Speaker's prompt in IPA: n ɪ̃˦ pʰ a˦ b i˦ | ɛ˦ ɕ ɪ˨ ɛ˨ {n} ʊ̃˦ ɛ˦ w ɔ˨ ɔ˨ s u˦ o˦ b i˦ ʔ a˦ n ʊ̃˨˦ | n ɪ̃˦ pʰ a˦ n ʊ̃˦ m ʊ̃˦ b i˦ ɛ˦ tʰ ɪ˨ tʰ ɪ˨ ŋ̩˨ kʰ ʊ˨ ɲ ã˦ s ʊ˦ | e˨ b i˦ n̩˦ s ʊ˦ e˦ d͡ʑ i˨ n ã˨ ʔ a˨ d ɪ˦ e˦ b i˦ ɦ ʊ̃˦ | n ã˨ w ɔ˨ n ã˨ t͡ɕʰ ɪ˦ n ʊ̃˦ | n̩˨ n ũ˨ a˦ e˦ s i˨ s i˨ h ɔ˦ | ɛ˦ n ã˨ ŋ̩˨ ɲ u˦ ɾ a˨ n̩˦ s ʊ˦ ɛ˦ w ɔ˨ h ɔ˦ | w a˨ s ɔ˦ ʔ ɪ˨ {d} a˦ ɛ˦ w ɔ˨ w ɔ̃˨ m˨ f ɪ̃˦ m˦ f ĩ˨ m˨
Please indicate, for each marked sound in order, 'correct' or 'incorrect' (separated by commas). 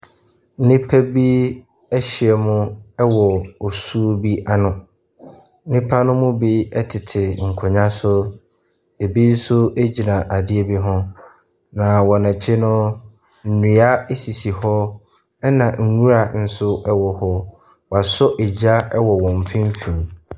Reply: incorrect, incorrect